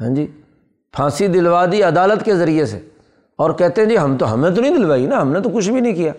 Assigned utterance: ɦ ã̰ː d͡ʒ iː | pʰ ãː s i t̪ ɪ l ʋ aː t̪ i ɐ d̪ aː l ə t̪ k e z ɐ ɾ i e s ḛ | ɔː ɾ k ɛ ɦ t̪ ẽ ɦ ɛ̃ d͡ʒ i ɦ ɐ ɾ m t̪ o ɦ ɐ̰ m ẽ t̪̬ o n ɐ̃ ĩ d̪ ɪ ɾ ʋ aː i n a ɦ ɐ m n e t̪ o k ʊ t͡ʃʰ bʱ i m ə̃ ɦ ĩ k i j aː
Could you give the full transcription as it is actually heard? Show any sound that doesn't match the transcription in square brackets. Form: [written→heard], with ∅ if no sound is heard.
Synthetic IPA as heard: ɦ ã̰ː d͡ʒ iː | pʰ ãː s i [t̪→d̪] ɪ l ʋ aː [t̪→d̪] i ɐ d̪ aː l ə t̪ k e z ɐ ɾ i e s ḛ | ɔː ɾ k ɛ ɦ t̪ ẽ ɦ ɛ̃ d͡ʒ i ɦ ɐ [ɾ→∅] m t̪ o ɦ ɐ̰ m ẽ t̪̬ o n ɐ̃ ĩ d̪ ɪ [ɾ→l] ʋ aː i n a ɦ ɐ m n e t̪ o k ʊ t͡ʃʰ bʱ i [m→n] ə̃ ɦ ĩ k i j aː